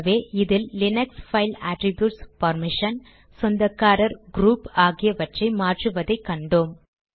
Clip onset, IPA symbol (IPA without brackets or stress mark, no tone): ʋ